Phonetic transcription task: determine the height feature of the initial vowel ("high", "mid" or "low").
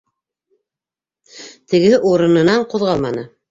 mid